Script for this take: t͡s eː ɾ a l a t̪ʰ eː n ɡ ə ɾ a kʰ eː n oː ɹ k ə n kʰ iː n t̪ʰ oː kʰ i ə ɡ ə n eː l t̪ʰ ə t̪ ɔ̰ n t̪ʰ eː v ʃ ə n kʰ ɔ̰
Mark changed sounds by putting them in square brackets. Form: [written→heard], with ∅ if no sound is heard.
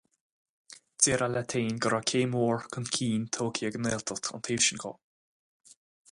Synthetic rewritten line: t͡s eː ɾ a l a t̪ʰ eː n ɡ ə ɾ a kʰ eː [n→m] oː ɹ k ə n kʰ iː n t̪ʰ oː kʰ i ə ɡ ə n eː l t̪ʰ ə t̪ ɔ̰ n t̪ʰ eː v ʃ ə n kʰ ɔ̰